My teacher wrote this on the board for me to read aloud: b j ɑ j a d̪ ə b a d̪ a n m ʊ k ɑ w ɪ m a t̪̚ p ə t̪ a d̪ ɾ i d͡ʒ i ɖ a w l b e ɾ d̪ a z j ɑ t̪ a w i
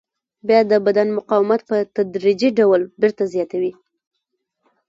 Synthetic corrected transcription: b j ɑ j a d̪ ə b a d̪ a n m ʊ q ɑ w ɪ m a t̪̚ p ə t̪ a d̪ ɾ i d͡ʒ i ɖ a w l b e ɾ t̪ a z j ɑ t̪ a w i